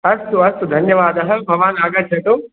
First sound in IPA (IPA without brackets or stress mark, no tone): ɐ